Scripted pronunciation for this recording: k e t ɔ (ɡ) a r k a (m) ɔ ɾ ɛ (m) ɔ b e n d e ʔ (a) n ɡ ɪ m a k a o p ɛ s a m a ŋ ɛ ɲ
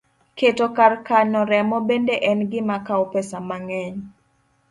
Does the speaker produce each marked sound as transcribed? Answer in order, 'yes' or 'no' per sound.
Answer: no, no, yes, no

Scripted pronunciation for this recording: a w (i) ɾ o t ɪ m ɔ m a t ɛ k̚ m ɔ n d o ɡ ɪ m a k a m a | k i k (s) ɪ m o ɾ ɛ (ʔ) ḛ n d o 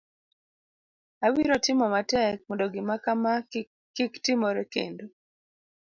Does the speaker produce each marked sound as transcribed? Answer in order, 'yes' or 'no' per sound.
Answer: yes, no, no

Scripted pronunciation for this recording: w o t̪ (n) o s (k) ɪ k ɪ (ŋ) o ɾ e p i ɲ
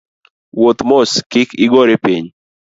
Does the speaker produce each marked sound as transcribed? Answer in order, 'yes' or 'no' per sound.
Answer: no, yes, no

